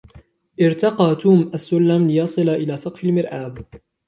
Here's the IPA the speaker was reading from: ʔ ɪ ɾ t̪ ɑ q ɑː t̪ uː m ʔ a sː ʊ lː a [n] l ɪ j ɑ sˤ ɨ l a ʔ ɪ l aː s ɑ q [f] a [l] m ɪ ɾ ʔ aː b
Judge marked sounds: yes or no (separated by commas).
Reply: no, yes, yes